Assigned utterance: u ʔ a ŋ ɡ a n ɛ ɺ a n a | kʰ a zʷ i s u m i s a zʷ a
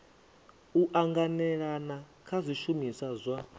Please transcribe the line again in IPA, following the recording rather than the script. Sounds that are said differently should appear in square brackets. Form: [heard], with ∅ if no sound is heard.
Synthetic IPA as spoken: u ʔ a ŋ ɡ a n ɛ ɺ a n a | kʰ a zʷ i [ʃ] u m i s a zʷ a